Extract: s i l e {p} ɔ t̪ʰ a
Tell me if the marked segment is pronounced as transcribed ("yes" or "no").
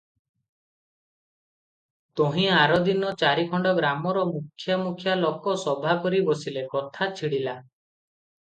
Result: no